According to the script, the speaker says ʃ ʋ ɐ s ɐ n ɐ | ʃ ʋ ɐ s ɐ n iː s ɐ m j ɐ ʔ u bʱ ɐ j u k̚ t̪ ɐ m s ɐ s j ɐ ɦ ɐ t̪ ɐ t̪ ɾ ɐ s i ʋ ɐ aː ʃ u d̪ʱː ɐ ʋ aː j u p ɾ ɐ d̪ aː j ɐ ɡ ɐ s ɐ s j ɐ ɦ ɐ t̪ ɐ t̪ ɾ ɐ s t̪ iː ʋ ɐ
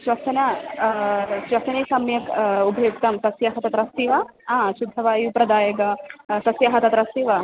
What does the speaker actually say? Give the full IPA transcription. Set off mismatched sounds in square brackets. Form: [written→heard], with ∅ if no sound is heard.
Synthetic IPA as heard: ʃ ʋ ɐ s ɐ n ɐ | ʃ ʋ ɐ s ɐ n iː s ɐ m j ɐ [ʔ→k] u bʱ ɐ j u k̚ t̪ ɐ m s ɐ s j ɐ ɦ ɐ t̪ ɐ t̪ ɾ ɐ s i ʋ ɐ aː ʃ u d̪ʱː ɐ ʋ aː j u p ɾ ɐ d̪ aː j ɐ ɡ ɐ s ɐ s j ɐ ɦ ɐ t̪ ɐ t̪ ɾ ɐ s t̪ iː ʋ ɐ